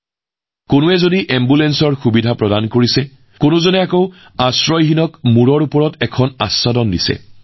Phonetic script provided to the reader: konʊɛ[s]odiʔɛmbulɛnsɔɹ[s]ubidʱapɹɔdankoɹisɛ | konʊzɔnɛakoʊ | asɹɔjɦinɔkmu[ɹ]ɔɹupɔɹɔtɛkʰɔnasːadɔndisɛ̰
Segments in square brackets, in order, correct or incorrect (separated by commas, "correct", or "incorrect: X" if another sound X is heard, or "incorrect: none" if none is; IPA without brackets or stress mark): incorrect: z, incorrect: x, correct